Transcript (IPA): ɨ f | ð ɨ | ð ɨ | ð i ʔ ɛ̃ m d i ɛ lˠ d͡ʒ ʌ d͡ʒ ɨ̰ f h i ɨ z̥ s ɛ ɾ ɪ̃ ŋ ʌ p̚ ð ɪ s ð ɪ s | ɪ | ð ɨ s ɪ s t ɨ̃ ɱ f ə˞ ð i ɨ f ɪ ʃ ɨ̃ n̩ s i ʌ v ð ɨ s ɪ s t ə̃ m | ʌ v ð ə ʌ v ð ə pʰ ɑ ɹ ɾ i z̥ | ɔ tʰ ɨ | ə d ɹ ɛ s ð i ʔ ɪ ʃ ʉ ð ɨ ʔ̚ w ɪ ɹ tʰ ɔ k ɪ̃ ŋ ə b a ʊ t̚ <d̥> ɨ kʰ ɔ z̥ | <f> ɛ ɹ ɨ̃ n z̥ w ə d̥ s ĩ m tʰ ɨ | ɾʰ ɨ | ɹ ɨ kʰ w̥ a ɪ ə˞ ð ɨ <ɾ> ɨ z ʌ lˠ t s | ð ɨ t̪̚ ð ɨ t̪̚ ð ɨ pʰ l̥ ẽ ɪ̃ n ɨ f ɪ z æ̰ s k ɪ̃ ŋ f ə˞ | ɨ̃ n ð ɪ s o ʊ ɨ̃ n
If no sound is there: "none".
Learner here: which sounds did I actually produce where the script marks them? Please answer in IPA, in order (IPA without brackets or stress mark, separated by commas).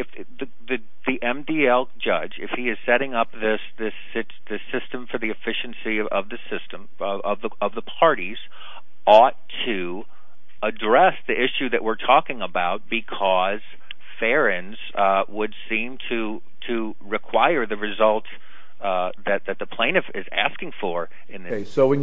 b̥, f, ɹ